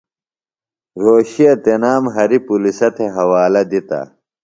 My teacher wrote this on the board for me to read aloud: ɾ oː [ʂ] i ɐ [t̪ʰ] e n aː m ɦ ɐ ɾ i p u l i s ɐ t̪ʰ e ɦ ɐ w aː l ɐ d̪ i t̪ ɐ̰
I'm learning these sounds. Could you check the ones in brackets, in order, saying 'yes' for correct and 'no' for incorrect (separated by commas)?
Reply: no, no